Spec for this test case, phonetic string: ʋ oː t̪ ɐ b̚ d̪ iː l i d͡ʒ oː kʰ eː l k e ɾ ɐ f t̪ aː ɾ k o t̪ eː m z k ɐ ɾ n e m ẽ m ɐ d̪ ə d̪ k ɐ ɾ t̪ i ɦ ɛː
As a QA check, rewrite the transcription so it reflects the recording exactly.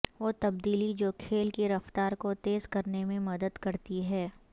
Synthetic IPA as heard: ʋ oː t̪ ɐ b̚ d̪ iː l i d͡ʒ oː kʰ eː l k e ɾ ɐ f t̪ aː ɾ k o t̪ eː z k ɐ ɾ n e m ẽ m ɐ d̪ ə d̪ k ɐ ɾ t̪ i ɦ ɛː